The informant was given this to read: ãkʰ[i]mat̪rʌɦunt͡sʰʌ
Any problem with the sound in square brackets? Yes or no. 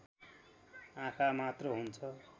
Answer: yes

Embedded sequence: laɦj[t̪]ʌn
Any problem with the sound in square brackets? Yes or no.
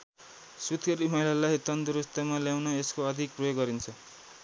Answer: no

